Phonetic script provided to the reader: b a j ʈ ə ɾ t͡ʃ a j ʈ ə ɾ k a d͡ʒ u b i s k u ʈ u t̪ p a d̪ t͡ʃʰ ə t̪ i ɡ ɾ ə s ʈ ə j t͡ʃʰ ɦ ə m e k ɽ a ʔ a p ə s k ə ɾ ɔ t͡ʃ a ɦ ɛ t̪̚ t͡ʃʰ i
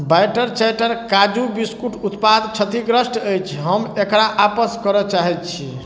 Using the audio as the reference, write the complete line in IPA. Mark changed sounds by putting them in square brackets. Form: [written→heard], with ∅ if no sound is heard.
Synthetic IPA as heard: b a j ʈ ə ɾ t͡ʃ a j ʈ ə ɾ k a d͡ʒ u b i s k u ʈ u t̪ p a d̪ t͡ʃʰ ə t̪ i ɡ ɾ ə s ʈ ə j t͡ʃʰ ɦ ə m e k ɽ a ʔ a p ə s k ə ɾ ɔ t͡ʃ a ɦ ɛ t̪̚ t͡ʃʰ i